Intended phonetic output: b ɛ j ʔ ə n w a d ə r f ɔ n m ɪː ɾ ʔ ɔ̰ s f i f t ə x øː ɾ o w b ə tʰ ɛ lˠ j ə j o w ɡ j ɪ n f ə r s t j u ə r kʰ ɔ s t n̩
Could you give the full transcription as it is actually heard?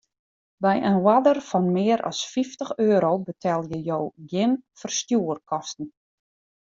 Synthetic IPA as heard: b ɛ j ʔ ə n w a d ə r f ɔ n m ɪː ɾ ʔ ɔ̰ s f i f t ə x øː ɾ o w b ə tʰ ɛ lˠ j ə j o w ɡ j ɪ n f ə r s t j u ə r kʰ ɔ s t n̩